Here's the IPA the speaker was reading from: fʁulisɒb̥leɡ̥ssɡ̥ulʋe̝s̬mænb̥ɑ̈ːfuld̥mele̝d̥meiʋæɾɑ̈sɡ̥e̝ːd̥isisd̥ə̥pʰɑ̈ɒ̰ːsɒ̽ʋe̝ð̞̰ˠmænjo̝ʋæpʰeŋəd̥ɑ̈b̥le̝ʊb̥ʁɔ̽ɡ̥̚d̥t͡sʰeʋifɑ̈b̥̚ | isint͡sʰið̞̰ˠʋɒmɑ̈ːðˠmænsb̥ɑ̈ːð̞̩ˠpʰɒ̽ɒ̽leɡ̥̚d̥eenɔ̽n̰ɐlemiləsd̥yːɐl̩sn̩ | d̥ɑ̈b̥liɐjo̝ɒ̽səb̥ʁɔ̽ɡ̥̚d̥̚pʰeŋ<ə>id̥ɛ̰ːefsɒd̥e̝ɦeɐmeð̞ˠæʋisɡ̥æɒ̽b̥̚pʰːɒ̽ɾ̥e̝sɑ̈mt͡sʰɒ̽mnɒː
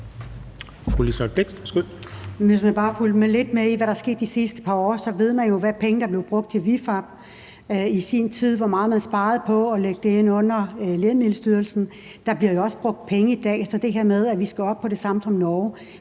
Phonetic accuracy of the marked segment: correct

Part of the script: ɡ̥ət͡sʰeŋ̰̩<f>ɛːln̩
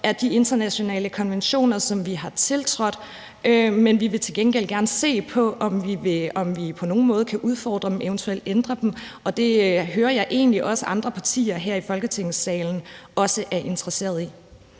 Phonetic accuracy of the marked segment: incorrect: s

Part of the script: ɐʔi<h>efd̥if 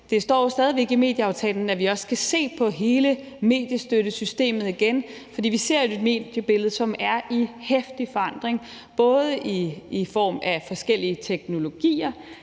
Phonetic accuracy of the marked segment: correct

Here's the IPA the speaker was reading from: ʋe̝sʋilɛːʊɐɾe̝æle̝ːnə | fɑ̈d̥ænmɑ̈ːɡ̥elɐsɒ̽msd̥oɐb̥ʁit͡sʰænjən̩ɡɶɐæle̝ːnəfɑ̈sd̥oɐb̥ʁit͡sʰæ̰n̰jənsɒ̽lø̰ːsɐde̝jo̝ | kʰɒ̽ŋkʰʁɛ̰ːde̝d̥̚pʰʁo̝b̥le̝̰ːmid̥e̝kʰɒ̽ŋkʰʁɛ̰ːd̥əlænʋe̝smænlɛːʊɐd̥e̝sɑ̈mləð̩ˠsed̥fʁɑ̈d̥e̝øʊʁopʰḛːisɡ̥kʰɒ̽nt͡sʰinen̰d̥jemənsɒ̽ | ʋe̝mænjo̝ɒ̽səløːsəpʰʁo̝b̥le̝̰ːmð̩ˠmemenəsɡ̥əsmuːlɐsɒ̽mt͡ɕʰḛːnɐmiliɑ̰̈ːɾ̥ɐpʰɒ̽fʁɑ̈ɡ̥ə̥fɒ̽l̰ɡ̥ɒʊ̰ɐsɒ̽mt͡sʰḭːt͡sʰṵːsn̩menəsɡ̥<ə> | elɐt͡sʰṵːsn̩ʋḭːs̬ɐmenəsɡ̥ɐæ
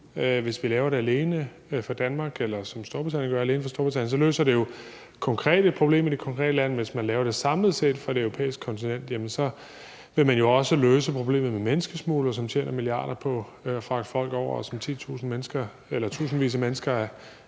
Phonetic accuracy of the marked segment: incorrect: ɐ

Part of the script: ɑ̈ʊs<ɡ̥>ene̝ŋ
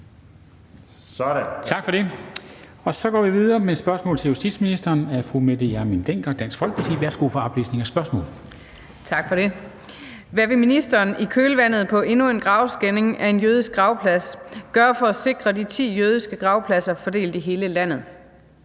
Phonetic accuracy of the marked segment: correct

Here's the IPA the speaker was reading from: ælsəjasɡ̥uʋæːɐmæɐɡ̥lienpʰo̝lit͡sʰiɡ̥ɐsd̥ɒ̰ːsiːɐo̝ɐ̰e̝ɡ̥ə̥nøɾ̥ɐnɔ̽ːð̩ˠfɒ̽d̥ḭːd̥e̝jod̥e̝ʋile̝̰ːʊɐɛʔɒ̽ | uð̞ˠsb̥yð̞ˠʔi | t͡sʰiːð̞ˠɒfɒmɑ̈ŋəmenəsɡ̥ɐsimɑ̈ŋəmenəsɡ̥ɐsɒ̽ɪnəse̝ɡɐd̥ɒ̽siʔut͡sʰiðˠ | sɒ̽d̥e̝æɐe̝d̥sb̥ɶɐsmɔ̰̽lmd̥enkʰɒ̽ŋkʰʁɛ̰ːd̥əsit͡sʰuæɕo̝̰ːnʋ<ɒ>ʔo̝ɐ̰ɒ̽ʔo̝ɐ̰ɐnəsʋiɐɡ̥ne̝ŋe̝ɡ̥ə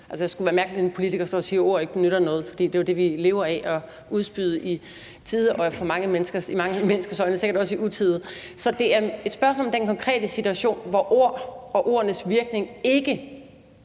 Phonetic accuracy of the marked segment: correct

